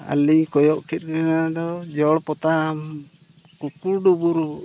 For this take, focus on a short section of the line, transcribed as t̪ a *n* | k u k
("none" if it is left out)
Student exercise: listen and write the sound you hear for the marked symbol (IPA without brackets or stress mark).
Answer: m